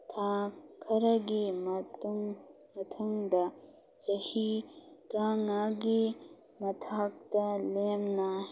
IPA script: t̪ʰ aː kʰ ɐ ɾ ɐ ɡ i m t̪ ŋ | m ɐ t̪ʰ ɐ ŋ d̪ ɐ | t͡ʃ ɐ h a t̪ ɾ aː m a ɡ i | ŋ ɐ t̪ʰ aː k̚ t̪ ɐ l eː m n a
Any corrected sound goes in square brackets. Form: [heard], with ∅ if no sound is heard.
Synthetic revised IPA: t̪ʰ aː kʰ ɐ ɾ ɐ ɡ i m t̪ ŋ | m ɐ t̪ʰ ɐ ŋ d̪ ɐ | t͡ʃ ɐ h [i] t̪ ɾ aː [ŋ] a ɡ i | [m] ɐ t̪ʰ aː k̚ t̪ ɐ l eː m n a